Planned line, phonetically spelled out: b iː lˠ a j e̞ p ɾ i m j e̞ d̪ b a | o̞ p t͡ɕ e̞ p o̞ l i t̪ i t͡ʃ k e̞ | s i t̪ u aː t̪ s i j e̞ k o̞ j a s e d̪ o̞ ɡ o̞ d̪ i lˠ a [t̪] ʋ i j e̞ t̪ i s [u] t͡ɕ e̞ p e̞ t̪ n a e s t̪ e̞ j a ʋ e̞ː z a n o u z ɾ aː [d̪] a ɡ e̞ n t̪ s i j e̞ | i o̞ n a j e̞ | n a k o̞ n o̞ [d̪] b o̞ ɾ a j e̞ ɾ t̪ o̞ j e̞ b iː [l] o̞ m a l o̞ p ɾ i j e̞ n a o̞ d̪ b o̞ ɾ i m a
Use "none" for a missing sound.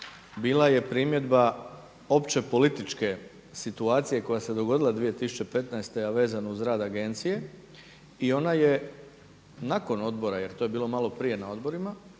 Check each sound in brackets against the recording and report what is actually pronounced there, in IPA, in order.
d̪, u, d̪, d̪, l

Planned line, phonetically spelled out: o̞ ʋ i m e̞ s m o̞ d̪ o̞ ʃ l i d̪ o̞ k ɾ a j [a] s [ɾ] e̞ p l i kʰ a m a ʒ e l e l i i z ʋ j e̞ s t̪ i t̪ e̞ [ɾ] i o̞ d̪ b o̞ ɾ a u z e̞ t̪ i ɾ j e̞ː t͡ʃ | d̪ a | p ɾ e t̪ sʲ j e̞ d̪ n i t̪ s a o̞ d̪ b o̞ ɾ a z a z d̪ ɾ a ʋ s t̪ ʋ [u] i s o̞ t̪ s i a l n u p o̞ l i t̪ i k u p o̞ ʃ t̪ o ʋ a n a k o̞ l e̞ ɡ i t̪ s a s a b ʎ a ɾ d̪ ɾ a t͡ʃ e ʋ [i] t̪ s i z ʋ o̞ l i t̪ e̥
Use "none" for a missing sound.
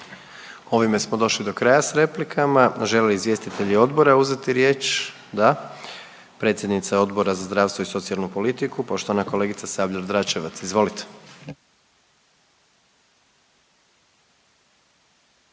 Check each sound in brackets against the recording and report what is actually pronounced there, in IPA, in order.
a, ɾ, ʎ, o, a

